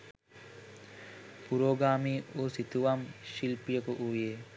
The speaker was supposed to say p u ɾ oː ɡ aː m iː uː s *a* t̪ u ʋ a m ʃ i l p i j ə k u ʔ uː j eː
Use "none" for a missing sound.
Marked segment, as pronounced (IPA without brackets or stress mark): i